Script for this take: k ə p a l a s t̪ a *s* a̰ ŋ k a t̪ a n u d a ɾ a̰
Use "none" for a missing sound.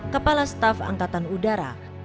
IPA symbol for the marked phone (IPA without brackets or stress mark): f